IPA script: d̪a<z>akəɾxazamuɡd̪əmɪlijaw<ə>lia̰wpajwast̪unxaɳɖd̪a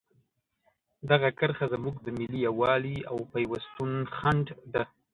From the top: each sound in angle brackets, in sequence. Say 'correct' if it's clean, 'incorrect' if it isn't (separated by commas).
incorrect, incorrect